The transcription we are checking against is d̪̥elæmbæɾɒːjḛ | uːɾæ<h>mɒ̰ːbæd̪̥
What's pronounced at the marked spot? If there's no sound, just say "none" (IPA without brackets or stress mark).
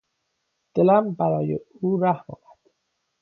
h